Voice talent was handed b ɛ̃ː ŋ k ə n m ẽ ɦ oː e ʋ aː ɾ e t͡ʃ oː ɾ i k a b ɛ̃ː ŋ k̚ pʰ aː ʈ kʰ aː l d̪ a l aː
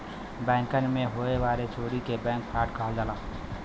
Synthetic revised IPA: b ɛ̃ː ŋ k ə n m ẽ ɦ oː e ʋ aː ɾ e t͡ʃ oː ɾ i k e b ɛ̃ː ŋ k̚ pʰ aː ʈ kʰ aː l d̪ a l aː